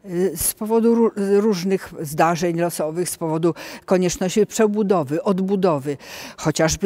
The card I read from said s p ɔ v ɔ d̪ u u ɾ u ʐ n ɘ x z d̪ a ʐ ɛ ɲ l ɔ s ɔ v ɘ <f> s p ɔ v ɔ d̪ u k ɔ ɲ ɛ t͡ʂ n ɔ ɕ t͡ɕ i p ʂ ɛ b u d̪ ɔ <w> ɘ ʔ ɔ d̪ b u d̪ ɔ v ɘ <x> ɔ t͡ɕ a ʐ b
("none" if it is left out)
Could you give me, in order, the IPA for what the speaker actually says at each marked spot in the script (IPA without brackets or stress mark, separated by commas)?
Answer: x, v, x